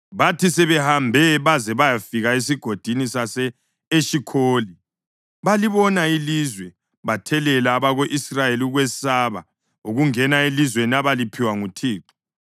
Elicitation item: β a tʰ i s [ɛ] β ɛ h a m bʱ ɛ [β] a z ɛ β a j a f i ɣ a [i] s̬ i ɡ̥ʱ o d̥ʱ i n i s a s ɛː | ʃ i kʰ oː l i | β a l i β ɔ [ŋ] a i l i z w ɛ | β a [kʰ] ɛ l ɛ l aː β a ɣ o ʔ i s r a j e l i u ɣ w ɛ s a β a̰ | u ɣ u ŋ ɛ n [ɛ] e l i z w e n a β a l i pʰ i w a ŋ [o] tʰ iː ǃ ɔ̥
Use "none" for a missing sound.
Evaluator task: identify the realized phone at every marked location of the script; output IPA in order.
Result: ɛ, β, e, n, tʰ, a, u

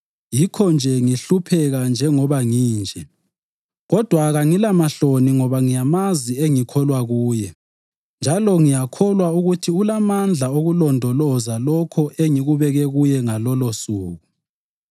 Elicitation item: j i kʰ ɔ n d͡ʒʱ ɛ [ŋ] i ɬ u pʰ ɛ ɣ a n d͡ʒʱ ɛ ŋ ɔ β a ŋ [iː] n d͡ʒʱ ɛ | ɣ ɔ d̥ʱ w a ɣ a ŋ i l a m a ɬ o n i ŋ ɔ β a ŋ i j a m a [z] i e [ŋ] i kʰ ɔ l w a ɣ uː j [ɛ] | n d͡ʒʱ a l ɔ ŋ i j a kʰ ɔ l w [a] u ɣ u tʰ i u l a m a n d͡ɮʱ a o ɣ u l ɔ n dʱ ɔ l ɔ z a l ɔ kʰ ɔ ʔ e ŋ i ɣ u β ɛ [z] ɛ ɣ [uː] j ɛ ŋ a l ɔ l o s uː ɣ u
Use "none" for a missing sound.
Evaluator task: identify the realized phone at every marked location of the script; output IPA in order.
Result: ŋ, iː, z, ŋ, ɛ, a, ɣ, u

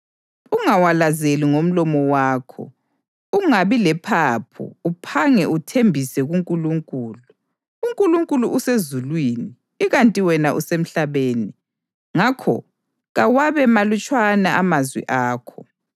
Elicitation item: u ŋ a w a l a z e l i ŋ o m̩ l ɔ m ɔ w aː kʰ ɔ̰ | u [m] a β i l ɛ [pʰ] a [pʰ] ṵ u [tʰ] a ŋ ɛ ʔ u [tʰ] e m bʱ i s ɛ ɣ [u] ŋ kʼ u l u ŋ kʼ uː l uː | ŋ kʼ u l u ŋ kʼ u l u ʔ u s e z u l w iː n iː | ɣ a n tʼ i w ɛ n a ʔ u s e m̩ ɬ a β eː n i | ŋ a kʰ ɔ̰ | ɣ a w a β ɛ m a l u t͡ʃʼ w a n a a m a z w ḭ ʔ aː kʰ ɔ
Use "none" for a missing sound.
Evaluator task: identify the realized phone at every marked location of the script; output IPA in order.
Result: ŋ, pʰ, pʰ, pʰ, tʰ, u

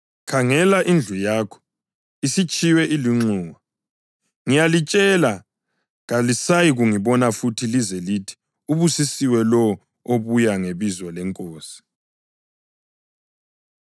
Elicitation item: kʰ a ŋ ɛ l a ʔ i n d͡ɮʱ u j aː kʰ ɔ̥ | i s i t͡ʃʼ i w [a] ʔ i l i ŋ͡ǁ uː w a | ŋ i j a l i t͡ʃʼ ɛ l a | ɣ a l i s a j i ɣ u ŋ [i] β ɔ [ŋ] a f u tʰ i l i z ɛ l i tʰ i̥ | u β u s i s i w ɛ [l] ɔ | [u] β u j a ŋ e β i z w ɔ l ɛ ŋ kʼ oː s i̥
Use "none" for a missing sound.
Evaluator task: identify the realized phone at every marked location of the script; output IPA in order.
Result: ɛ, i, n, l, o

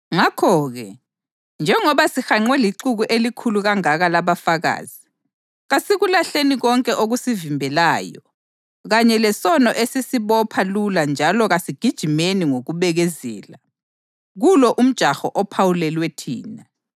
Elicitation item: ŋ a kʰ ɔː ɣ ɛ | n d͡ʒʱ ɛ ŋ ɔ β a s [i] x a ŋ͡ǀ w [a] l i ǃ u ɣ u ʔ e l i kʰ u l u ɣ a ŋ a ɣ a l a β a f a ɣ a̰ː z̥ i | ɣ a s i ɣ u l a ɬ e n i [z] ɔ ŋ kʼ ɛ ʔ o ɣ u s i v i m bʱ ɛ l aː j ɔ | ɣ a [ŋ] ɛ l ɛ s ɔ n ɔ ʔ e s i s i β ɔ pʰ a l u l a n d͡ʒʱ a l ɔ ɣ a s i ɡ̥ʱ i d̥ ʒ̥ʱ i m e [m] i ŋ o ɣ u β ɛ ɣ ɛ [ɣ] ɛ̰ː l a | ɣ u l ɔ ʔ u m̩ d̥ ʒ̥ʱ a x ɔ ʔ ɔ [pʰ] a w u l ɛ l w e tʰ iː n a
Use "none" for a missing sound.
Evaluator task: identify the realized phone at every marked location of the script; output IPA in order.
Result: i, ɛ, ɣ, ɲ, n, z, pʰ

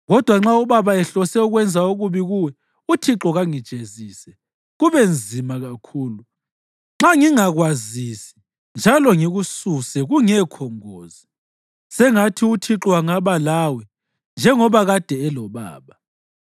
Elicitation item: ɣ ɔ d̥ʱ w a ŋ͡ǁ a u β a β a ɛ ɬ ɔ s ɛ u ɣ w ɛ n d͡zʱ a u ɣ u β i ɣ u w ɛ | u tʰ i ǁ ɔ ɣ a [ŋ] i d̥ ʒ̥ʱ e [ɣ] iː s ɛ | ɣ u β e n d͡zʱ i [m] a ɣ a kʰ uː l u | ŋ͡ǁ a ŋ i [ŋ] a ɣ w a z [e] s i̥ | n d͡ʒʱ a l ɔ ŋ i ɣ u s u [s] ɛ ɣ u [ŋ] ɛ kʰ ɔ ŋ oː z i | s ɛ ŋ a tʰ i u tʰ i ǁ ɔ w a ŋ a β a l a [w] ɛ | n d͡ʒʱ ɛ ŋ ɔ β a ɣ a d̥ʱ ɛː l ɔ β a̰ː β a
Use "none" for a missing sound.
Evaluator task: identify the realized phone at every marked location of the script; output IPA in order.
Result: ŋ, z, m, ŋ, i, s, ŋ, w

